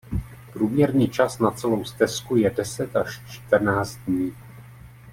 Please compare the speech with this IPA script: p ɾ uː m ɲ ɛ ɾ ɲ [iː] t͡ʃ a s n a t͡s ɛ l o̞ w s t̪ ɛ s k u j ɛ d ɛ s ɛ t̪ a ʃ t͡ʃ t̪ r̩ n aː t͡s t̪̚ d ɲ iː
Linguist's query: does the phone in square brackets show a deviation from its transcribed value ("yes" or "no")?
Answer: no